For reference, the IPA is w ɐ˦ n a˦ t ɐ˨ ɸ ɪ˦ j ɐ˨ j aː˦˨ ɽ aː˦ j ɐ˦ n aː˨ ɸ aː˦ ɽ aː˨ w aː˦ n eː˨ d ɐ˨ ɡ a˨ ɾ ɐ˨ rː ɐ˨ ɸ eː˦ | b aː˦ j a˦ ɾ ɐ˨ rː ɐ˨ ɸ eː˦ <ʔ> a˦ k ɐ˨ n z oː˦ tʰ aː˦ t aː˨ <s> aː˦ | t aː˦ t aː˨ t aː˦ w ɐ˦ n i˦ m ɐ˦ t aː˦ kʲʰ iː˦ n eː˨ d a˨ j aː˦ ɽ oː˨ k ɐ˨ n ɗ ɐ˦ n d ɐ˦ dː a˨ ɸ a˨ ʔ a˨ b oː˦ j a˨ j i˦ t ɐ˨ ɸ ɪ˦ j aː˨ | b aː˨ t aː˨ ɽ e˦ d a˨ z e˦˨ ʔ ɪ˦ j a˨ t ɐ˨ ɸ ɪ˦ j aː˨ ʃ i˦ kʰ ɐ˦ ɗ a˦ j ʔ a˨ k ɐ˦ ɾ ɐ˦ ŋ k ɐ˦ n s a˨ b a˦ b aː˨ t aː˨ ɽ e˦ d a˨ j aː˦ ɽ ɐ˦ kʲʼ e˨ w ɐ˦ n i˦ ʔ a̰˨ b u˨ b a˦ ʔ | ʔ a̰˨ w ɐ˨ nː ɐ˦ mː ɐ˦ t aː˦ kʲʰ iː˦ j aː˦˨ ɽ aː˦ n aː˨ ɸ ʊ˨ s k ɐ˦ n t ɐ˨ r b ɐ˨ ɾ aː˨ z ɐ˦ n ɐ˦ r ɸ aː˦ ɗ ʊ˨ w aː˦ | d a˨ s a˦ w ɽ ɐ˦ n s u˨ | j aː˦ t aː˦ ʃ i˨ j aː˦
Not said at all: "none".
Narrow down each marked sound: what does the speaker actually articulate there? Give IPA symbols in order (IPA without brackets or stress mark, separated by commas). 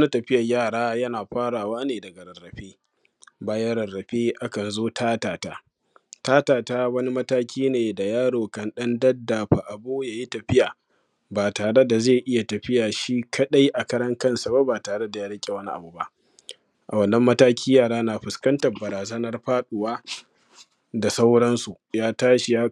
ʔ, t